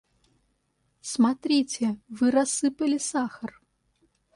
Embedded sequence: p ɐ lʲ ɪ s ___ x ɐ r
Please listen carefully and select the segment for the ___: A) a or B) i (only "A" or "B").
A